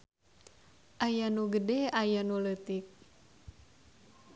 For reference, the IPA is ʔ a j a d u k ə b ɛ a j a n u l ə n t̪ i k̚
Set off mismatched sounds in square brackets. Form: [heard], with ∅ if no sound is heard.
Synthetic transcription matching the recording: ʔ a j a [n] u [ɡ] ə [d] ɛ a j a n u l ə [∅] t̪ i k̚

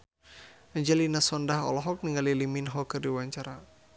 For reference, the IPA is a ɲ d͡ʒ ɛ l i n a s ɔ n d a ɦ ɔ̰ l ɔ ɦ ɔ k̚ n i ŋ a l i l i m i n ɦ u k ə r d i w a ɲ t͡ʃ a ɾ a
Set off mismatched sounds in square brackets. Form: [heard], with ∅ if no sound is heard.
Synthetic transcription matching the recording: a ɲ d͡ʒ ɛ l i n a s ɔ n d a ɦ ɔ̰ l ɔ ɦ ɔ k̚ n i ŋ a l i l i m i n ɦ [ɔ] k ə r d i w a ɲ t͡ʃ a ɾ a

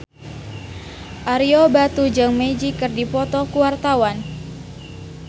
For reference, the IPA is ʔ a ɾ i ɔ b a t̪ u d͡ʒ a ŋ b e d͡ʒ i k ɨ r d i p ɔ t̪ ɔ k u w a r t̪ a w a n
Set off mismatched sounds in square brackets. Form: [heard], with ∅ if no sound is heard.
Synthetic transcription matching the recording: ʔ a ɾ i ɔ b a t̪ u d͡ʒ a ŋ [m] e d͡ʒ i k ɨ r d i p ɔ t̪ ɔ k u w a r t̪ a w a n

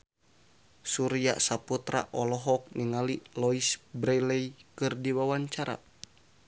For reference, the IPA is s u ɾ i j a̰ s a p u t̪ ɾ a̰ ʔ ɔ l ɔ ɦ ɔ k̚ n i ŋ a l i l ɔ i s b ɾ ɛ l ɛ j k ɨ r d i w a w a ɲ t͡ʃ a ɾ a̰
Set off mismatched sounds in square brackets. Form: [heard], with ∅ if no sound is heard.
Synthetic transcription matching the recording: s u ɾ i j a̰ s a p u t̪ ɾ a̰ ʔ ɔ l ɔ ɦ ɔ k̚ n i ŋ a l i l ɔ i s b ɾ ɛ l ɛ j k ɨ r d i w a w a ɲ t͡ʃ a ɾ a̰

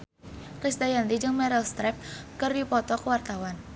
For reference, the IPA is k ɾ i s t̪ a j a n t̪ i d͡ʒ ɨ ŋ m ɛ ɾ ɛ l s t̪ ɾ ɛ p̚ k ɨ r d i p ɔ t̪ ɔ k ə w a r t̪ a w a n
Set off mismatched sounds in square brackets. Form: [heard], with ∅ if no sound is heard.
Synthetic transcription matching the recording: k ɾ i s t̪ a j a n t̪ i d͡ʒ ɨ ŋ m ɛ ɾ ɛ l s t̪ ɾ ɛ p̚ k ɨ r d i p ɔ t̪ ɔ k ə w a r t̪ a w a n

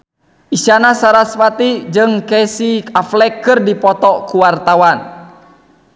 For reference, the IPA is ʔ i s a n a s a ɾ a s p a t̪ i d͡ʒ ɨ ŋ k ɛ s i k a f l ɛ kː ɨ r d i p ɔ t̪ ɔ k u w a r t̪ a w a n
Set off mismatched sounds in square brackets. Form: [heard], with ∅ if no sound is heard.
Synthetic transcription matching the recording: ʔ i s a n a s a ɾ a s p a t̪ i d͡ʒ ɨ ŋ k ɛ s i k a f l ɛ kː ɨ r d i p ɔ t̪ ɔ k u w a r t̪ a w a n

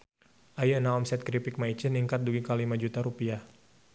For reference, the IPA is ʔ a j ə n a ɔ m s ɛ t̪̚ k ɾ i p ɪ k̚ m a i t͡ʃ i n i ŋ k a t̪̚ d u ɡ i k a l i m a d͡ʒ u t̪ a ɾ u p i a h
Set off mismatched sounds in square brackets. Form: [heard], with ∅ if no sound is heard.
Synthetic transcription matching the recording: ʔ a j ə n a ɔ m s ɛ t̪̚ k ɾ i p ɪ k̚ m a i t͡ʃ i n i ŋ k a t̪̚ d u ɡ i k a l i m a d͡ʒ u t̪ a ɾ u p i a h

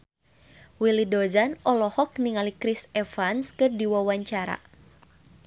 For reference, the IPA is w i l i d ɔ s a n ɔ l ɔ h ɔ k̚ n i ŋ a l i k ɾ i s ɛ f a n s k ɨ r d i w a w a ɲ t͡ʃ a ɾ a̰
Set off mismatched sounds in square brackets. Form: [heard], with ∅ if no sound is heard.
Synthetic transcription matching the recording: w i l i d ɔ [z] a n ɔ l ɔ h ɔ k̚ n i ŋ a l i k ɾ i s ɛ f a n s k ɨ r d i w a w a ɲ t͡ʃ a ɾ a̰

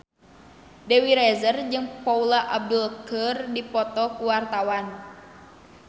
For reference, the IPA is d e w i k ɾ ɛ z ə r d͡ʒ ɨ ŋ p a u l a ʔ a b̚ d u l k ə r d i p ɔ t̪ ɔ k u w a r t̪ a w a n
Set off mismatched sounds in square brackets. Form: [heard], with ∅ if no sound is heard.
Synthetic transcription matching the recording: d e w i [∅] ɾ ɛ z ə r d͡ʒ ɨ ŋ p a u l a ʔ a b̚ d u l k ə r d i p ɔ t̪ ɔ k u w a r t̪ a w a n

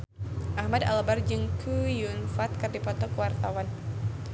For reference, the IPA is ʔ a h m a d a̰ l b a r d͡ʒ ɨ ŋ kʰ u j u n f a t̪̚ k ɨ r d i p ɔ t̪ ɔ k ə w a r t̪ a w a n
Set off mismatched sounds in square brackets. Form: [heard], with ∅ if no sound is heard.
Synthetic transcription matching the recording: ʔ a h m a d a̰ l b a r d͡ʒ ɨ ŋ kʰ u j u n f a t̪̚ k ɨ r d i p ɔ t̪ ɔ k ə w a r t̪ a w a n

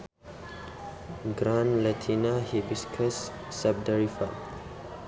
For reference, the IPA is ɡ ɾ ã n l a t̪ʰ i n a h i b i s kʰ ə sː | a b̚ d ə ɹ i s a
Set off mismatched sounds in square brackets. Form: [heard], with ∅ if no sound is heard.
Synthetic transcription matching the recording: ɡ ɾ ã n l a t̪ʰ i n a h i b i s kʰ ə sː | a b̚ d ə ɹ i [f] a

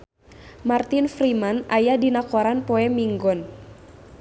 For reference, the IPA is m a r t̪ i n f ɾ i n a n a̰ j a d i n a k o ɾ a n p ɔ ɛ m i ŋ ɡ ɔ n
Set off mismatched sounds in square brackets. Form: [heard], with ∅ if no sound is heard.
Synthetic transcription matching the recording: m a r t̪ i n f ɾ i [m] a n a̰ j a d i n a k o ɾ a n p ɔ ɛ m i ŋ ɡ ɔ n

